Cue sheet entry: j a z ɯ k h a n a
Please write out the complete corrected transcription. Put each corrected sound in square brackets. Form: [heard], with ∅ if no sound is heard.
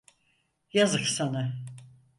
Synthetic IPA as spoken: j a z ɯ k [s] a n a